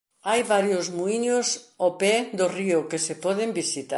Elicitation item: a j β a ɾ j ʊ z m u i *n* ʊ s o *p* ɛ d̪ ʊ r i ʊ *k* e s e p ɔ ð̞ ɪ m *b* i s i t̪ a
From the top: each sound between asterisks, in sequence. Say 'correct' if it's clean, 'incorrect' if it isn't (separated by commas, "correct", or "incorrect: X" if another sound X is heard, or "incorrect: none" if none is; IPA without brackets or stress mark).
incorrect: ɲ, correct, correct, correct